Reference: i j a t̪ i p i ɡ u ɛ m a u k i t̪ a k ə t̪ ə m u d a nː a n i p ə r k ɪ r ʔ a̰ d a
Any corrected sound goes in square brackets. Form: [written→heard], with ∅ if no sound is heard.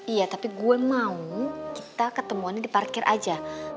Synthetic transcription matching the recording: i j a t̪ [i→a] p i ɡ u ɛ m a u k i t̪ a k ə t̪ ə m u [d→∅] a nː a [n→d] i p [ə→a] r k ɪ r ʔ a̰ [d→d͡ʒ] a